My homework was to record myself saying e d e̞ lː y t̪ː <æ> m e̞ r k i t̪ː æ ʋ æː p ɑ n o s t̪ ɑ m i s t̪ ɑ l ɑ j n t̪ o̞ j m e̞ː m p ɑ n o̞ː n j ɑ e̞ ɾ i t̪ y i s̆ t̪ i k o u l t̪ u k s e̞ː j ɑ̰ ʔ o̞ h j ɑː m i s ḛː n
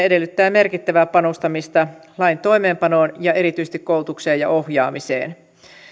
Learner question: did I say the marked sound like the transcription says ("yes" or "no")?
no